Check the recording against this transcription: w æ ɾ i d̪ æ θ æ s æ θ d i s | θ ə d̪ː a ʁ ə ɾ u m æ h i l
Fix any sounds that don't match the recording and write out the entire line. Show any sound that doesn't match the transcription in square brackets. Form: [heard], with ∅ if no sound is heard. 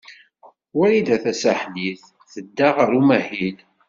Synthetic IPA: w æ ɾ i d̪ æ θ æ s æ [ħ] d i [θ] | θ ə d̪ː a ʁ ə ɾ u m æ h i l